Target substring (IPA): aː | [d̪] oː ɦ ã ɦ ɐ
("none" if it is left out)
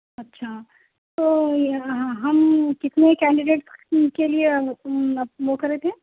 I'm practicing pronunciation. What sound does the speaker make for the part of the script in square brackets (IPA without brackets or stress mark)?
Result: t̪